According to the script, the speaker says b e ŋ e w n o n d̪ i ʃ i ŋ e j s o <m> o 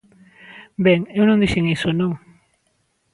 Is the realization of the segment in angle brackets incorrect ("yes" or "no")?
yes